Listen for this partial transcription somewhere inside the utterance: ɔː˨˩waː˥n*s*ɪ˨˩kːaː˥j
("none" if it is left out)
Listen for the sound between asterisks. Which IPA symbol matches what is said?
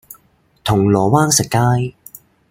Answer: s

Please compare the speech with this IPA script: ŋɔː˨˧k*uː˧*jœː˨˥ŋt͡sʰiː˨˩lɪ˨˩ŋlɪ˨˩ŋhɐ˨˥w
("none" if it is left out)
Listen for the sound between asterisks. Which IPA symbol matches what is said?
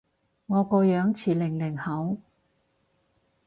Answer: ɔː˧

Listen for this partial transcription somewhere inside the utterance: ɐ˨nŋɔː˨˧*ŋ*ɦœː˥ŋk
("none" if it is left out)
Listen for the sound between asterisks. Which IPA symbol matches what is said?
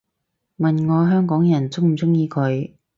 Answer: none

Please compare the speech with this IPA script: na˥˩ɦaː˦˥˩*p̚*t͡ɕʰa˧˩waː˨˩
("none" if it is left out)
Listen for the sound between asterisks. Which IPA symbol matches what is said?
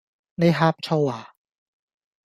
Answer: p̚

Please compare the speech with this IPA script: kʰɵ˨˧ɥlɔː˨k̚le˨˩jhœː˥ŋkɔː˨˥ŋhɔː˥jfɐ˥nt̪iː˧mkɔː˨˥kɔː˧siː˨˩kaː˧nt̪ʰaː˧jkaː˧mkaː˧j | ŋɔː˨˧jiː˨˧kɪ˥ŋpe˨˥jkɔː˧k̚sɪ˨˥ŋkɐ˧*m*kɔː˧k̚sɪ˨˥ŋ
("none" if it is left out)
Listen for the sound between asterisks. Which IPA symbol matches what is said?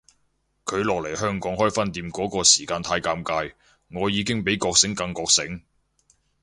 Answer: ŋ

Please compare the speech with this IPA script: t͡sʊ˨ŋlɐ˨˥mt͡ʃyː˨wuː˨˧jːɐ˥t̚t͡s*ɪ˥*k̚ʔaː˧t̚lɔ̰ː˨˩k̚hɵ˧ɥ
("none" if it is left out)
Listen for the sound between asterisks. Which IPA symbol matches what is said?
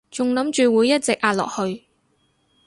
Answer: ɪ˨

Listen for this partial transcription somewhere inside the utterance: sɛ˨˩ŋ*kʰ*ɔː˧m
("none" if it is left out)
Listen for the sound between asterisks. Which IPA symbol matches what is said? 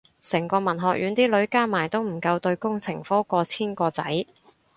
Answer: k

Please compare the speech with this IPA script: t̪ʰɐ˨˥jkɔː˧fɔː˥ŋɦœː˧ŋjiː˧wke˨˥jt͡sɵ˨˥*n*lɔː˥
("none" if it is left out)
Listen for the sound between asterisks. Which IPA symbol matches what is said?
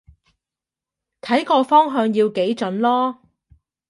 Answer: n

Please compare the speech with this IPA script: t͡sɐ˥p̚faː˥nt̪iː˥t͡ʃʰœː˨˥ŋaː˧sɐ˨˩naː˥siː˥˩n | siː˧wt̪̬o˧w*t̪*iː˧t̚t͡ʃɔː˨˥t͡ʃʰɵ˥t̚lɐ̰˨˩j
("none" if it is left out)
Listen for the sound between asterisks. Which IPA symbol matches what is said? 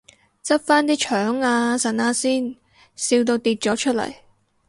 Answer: t̪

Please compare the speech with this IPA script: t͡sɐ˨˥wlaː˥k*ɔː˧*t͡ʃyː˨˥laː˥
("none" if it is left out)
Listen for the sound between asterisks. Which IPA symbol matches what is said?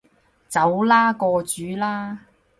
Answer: ɔː˧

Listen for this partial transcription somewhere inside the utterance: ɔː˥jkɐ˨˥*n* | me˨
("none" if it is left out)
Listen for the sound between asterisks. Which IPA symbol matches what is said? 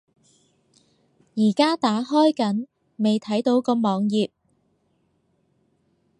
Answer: n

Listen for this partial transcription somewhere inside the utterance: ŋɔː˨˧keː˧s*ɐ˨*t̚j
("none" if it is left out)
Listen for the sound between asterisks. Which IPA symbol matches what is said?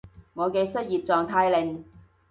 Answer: ɐ˥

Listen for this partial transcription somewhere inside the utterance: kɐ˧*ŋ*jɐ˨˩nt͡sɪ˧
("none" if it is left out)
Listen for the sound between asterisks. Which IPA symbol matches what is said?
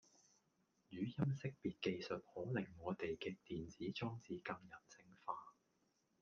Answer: ŋ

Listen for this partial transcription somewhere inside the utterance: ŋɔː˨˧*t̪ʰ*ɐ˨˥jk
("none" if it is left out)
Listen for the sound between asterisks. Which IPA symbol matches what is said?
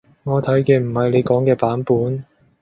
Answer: t̪ʰ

